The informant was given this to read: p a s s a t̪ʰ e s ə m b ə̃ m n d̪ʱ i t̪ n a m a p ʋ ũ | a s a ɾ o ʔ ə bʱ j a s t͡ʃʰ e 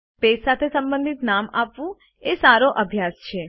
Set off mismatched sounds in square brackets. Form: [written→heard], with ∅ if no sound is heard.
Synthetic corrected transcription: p [a→e] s s a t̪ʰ e s ə m b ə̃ [m→∅] n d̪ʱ i t̪ n a m a p ʋ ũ | [a→e] s a ɾ o ʔ ə bʱ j a s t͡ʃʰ e